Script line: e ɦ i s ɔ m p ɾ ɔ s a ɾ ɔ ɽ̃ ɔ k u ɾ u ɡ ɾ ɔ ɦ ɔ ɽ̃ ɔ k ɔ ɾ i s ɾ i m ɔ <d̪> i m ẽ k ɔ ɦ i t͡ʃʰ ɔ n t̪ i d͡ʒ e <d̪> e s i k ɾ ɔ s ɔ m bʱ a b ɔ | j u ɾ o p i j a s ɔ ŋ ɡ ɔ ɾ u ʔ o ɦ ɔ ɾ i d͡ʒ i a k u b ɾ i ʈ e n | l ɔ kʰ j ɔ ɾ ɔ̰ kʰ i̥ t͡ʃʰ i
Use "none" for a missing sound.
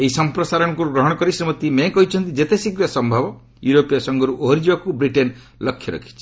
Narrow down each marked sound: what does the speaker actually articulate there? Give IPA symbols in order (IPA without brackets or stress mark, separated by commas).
t̪, t̪